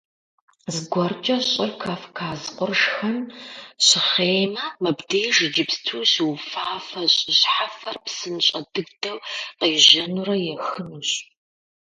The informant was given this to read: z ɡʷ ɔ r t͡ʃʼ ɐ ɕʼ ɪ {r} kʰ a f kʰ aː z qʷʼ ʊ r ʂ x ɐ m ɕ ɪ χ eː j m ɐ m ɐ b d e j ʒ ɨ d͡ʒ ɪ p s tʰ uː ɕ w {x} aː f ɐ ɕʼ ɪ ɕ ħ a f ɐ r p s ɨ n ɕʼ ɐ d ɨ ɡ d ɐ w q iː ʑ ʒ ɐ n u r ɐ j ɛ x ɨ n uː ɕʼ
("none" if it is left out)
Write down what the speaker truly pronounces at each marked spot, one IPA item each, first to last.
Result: r, f

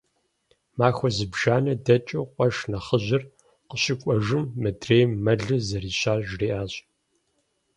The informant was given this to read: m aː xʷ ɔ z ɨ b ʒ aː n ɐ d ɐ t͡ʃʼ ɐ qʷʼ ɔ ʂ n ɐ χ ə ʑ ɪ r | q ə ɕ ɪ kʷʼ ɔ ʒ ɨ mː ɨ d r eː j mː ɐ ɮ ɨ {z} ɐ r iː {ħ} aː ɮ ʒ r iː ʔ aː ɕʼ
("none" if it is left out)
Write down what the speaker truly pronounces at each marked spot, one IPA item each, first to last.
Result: z, ɕ

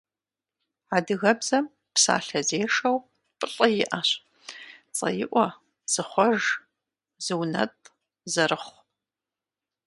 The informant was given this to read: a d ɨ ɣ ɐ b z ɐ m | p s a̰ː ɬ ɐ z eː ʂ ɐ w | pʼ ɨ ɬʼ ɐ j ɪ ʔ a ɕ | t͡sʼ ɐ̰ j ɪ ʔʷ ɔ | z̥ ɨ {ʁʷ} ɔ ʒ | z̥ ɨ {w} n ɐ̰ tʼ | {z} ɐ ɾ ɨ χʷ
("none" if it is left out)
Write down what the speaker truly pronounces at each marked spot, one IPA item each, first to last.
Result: χʷ, w, z

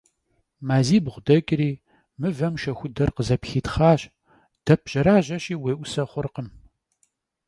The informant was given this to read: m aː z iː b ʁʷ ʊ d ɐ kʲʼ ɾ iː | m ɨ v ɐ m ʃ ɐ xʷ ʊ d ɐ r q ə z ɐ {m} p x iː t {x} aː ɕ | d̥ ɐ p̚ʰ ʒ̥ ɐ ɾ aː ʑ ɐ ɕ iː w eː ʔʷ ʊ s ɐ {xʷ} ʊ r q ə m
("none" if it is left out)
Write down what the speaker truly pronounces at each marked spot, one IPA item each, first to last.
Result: none, χ, χʷ

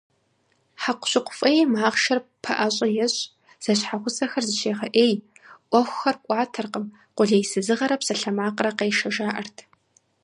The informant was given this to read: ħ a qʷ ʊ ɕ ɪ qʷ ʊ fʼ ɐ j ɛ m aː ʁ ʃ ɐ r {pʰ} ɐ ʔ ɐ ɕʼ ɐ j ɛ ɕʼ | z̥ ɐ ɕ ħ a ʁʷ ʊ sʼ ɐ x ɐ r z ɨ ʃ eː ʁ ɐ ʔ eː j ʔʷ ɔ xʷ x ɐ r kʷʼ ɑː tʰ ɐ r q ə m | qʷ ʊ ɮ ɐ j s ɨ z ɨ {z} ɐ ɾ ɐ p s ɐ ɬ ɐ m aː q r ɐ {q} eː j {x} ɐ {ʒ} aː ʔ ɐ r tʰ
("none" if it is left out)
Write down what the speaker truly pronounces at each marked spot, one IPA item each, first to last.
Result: pʰ, ʁ, q, ʃ, ʒ

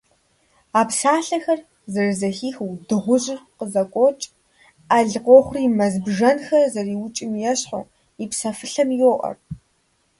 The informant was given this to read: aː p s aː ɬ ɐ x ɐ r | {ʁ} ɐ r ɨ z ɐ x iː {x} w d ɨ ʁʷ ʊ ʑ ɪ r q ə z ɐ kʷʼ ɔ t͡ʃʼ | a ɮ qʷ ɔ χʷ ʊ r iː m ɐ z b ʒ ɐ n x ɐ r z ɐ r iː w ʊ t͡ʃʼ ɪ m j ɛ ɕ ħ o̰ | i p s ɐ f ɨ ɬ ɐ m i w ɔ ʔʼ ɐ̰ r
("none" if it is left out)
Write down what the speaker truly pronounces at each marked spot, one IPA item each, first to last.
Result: z, x

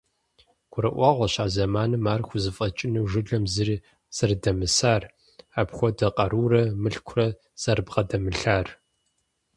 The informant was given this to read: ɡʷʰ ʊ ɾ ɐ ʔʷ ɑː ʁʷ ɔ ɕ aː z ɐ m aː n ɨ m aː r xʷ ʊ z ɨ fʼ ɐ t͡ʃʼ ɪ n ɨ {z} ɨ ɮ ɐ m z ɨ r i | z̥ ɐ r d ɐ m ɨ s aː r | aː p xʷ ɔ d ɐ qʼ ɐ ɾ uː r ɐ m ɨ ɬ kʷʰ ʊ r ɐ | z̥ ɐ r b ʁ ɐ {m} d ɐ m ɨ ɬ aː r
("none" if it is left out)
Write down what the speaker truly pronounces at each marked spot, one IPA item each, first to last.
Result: ʒ, none

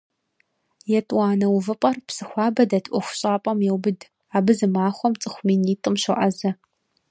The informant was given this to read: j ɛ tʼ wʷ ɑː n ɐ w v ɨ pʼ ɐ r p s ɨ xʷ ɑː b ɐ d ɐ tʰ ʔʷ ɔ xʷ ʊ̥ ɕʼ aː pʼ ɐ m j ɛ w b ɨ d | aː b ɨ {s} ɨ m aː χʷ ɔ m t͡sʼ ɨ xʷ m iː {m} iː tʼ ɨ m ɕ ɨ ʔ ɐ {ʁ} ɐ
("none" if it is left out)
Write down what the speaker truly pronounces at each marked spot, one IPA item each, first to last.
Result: z, n, z

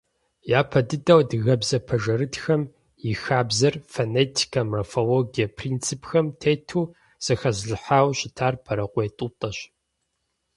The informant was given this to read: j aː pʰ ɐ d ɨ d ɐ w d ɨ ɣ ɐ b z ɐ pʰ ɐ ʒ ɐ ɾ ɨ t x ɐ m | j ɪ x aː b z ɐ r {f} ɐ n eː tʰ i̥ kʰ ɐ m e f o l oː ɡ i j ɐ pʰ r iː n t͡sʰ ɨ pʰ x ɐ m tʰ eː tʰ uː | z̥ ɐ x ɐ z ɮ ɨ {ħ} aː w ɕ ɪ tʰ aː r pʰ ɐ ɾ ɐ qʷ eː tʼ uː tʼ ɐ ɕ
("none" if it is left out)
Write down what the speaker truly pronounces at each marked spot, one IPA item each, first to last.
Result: f, ħ

